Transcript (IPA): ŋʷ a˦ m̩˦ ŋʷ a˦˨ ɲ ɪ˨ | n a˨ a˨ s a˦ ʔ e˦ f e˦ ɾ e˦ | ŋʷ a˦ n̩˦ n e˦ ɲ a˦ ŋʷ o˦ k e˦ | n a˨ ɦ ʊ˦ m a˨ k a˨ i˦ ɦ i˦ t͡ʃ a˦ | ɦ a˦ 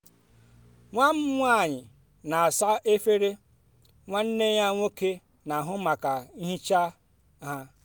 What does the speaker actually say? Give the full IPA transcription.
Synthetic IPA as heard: ŋʷ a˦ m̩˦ ŋʷ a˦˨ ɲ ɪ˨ | n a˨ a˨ s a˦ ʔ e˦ f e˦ ɾ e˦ | ŋʷ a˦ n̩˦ n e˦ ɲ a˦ ŋʷ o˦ k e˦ | n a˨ ɦ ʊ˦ m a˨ k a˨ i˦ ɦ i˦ t͡ʃ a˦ | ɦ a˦

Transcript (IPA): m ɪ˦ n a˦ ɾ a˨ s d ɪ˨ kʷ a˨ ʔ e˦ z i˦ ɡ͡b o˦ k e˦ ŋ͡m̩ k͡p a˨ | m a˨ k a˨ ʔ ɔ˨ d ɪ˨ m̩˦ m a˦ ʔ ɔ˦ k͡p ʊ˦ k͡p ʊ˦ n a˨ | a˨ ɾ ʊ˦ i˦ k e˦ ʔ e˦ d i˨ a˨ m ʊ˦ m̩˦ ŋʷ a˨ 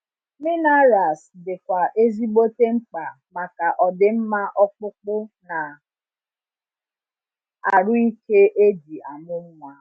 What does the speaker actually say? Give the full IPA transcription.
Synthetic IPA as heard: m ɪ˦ n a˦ ɾ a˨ s d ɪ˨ kʷ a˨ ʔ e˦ z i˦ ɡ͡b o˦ t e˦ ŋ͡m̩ k͡p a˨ | m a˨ k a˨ ʔ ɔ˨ d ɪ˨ m̩˦ m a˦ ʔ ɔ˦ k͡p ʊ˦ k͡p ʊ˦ n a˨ | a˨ ɾ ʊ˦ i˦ k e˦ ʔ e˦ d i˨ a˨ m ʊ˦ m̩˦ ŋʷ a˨

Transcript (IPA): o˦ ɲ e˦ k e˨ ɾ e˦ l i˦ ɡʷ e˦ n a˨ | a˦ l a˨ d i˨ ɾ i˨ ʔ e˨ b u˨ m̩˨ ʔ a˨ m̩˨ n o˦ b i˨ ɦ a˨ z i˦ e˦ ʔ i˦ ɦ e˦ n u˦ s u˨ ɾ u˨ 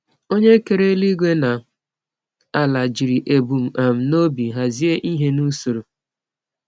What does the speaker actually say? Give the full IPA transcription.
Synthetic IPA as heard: o˦ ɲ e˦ k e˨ ɾ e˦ l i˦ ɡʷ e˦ n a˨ | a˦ l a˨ d͡ʒ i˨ ɾ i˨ ʔ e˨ b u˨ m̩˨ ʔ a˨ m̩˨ n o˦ b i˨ ɦ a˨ z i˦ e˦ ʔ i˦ ɦ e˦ n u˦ s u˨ ɾ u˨

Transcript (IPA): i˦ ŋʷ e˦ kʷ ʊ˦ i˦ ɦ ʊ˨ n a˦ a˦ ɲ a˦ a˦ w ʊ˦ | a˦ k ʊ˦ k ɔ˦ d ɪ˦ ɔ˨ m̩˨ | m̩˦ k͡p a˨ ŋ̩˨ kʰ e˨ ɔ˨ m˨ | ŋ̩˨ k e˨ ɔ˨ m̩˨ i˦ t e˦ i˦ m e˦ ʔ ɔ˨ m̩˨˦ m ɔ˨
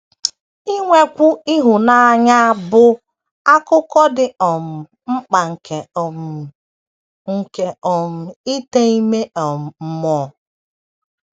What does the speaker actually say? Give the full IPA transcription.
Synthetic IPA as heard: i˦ ŋʷ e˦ kʷ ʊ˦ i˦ ɦ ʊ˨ n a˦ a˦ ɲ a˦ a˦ b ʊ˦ | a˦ k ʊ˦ k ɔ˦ d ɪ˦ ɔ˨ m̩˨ | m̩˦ k͡p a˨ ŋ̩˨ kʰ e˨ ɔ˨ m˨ | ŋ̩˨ k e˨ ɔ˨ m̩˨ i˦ t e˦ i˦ m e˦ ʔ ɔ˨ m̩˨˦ m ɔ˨

